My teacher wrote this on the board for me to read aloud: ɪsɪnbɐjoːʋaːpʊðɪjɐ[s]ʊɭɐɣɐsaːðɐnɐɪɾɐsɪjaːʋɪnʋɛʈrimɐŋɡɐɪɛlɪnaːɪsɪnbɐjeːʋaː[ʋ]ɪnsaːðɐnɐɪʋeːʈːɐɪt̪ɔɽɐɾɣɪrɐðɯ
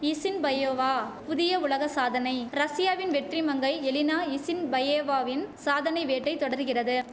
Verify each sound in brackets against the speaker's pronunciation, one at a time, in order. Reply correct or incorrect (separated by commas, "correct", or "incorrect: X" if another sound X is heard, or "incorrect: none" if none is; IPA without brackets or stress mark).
incorrect: none, correct